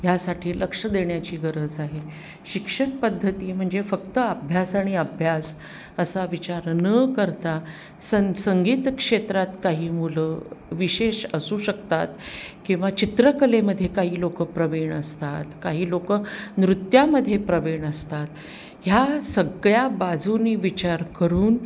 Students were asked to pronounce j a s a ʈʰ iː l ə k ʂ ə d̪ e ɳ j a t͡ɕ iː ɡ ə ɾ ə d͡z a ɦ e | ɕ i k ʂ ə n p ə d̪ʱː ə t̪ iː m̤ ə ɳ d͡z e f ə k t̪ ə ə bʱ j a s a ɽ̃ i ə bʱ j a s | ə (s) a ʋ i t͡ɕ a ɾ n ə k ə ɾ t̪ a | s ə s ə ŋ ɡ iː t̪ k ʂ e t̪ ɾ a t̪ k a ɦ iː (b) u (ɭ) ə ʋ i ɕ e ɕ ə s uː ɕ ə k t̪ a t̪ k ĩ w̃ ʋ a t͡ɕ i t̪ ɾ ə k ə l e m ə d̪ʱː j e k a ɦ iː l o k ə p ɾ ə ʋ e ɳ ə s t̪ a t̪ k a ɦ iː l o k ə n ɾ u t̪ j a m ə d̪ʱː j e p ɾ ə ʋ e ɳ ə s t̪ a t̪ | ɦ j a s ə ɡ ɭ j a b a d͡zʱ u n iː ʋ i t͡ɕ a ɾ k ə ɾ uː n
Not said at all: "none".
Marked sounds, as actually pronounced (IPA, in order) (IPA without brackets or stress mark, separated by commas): s, m, l